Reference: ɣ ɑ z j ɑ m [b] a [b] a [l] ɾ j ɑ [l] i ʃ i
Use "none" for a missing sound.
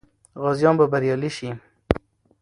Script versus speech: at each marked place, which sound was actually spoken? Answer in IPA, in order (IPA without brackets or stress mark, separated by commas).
b, b, none, l